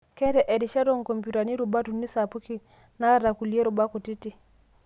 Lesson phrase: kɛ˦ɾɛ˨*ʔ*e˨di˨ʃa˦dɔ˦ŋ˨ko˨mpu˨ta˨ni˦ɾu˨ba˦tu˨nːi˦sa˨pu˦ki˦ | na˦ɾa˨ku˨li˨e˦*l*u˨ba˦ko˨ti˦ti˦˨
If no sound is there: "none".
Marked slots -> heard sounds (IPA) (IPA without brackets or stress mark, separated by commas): ʔ, ɾ